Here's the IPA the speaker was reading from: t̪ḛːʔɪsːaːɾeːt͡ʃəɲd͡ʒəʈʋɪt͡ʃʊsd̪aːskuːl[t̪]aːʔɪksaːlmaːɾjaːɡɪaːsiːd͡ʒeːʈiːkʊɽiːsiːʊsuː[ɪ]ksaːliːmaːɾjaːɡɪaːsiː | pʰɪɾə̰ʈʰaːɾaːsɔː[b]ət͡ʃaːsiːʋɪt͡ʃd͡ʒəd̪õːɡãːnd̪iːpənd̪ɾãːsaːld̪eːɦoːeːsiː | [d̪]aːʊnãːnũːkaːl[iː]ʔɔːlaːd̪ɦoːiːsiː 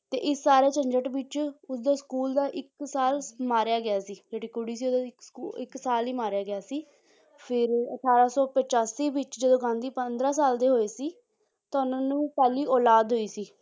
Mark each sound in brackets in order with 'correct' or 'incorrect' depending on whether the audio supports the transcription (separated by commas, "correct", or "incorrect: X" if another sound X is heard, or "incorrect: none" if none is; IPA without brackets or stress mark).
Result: incorrect: d̪, correct, incorrect: p, incorrect: t̪, correct